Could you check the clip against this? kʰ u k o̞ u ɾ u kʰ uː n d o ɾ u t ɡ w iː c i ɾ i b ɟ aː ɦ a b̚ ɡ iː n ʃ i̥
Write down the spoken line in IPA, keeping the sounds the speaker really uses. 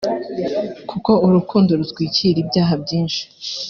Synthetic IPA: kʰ u k o̞ u ɾ u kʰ uː n d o ɾ u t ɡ w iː c i ɾ i b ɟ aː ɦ a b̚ ɟ iː n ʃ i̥